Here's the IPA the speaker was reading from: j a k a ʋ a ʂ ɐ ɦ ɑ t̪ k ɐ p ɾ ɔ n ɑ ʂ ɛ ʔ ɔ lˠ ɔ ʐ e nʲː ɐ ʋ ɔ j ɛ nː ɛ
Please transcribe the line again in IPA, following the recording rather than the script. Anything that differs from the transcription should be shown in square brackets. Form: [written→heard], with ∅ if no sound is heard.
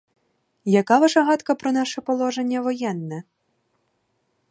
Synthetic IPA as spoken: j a k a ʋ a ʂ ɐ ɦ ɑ t̪ k ɐ p ɾ ɔ n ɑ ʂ ɛ [ʔ→p] ɔ lˠ ɔ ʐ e nʲː ɐ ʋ ɔ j ɛ nː ɛ